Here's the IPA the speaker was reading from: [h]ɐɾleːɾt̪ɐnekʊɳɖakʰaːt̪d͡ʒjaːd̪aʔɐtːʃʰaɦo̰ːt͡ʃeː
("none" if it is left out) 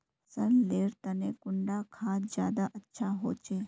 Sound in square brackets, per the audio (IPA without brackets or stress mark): s